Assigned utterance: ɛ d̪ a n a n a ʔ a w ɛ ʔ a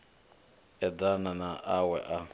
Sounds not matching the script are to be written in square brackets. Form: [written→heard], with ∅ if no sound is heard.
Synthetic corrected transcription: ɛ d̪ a n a n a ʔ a w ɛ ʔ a